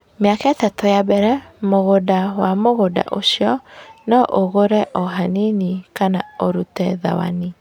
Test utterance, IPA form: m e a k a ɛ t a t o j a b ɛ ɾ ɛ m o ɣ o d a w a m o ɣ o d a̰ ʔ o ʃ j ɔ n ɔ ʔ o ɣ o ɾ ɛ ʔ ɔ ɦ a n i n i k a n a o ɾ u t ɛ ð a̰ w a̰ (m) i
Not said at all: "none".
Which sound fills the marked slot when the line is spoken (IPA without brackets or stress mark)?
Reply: n